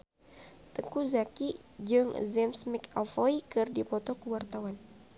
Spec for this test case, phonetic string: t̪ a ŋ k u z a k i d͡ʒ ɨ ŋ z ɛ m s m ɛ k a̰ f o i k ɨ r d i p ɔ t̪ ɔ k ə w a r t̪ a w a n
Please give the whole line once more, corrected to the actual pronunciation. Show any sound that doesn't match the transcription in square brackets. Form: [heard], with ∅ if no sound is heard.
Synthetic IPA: t̪ [ə] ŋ k u z a k i d͡ʒ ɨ ŋ z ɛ m s m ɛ k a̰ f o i k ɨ r d i p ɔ t̪ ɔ k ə w a r t̪ a w a n